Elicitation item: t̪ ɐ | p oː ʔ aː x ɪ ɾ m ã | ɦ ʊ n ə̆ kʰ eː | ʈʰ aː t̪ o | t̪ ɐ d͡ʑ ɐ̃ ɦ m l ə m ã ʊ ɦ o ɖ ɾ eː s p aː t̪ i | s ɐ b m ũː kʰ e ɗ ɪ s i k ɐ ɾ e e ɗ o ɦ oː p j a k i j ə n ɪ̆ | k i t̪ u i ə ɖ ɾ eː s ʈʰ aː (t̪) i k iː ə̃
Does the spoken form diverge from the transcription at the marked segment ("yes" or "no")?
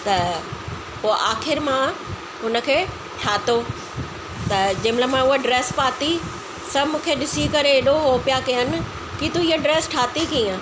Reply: no